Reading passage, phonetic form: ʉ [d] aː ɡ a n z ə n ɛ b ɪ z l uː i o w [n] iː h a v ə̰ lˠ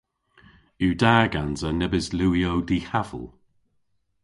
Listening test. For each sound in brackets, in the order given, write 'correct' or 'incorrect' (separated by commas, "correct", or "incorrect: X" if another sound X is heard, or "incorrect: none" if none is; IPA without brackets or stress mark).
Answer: correct, incorrect: d